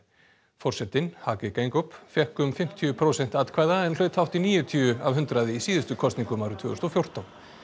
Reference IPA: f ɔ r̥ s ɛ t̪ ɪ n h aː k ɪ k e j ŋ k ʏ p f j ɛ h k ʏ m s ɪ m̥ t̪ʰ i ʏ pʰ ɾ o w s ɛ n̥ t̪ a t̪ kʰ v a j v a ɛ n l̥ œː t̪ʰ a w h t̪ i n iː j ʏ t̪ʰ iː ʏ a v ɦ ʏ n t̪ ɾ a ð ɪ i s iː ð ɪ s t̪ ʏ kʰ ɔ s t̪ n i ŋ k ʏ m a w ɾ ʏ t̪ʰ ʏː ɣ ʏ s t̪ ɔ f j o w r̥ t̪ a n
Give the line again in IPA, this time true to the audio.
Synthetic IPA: f ɔ r̥ s ɛ t̪ ɪ n h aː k ɪ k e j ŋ k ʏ p f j ɛ h k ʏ m f ɪ m̥ t̪ʰ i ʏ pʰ ɾ o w s ɛ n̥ t̪ a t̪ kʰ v a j ð a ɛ n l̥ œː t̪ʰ a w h t̪ i n iː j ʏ t̪ʰ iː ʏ a v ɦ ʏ n t̪ ɾ a ð ɪ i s iː ð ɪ s t̪ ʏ kʰ ɔ s t̪ n i ŋ k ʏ m a w ɾ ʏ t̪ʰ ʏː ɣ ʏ s t̪ ɔ f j o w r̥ t̪ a n